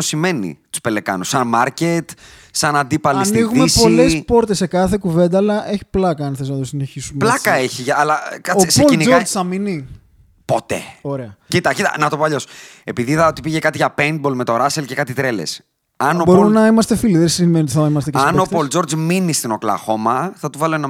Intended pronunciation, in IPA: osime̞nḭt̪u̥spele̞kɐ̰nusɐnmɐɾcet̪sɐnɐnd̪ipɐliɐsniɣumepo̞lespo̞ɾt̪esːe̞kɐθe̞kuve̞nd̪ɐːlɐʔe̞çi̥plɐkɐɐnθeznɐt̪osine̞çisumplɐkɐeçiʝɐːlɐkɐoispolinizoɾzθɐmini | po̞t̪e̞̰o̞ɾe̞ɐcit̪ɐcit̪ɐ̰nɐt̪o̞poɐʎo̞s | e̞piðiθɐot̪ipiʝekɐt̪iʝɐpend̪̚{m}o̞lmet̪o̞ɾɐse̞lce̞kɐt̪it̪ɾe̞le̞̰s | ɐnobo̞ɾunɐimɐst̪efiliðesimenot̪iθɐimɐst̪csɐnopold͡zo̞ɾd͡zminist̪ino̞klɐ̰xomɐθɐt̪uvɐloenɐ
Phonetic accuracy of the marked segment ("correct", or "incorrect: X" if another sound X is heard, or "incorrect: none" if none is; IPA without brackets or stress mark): incorrect: b